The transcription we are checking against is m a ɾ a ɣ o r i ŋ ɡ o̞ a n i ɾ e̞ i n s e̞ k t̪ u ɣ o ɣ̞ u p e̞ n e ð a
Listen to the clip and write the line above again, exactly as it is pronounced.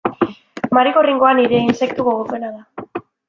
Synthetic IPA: m a ɾ i ɣ o r i ŋ ɡ o̞ a n i ɾ e̞ i n s e̞ k t̪ u ɣ o ɣ̞ o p e̞ n a ð a